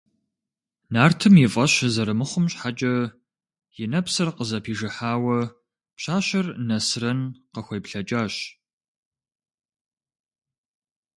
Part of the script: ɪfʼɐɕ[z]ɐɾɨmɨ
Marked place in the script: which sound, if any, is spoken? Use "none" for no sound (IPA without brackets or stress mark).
z